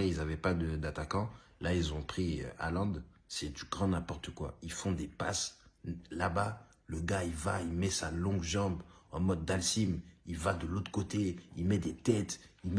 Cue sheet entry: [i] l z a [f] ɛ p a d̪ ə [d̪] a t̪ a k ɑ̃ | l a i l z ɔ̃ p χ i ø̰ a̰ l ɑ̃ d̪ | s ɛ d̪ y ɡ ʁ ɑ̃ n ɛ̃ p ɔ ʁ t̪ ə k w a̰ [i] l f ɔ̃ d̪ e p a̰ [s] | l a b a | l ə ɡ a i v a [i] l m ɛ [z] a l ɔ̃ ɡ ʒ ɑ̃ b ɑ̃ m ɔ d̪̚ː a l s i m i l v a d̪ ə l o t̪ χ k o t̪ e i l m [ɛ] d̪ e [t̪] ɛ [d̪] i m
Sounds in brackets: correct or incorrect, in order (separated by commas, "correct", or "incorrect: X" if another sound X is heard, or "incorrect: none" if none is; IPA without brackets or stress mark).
correct, incorrect: v, correct, correct, correct, correct, incorrect: s, correct, correct, incorrect: t̪